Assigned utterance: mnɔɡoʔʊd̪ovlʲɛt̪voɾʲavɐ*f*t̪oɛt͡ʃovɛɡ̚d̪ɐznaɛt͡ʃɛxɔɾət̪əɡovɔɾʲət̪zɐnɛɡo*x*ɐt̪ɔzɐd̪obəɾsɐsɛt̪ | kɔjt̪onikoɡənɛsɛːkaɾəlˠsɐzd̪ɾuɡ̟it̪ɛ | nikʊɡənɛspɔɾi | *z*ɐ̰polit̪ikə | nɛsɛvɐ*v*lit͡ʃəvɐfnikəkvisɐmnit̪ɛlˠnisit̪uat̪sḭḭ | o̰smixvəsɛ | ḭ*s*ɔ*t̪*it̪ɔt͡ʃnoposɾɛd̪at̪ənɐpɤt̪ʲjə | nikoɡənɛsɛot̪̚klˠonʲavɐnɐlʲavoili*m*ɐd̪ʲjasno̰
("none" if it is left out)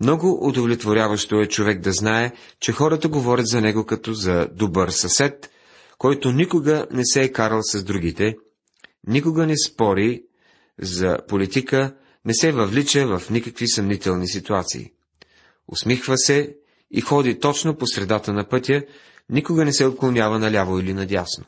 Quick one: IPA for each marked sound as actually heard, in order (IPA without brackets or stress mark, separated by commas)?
ʃ, k, z, v, x, d̪, n